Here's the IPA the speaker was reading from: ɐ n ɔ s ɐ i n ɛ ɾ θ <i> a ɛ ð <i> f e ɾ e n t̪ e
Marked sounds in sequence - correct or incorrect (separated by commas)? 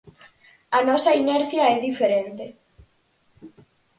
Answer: incorrect, correct